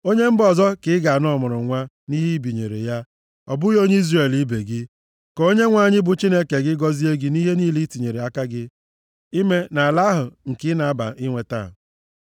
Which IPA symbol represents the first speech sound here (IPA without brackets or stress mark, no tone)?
o